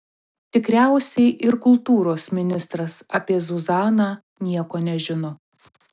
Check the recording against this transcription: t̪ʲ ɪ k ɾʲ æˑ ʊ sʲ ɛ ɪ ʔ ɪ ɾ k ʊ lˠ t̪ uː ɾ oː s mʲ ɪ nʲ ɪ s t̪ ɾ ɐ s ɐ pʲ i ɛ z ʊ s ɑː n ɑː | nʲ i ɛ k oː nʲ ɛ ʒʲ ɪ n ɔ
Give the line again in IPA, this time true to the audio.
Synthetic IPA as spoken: t̪ʲ ɪ k ɾʲ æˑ ʊ sʲ ɛ ɪ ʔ ɪ ɾ k ʊ lˠ t̪ uː ɾ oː s mʲ ɪ nʲ ɪ s t̪ ɾ ɐ s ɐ pʲ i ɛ z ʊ z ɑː n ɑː | nʲ i ɛ k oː nʲ ɛ ʒʲ ɪ n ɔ